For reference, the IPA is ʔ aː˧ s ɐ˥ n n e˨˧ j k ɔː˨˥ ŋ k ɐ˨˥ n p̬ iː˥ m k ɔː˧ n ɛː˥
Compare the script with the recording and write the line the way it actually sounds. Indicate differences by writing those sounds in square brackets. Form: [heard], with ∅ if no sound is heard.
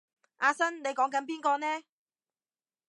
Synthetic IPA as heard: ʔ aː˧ s ɐ˥ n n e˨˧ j k ɔː˨˥ ŋ k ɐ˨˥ n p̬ iː˥ [n] k ɔː˧ n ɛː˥